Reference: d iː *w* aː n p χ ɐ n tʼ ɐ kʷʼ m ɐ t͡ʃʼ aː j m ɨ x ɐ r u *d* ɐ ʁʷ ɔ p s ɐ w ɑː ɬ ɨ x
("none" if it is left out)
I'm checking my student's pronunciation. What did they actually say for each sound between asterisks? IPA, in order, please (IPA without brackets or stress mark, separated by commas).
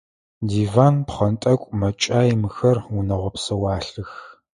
v, n